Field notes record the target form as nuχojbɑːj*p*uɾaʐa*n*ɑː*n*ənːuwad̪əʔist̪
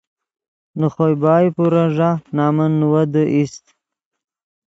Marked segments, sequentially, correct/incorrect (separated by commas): correct, correct, incorrect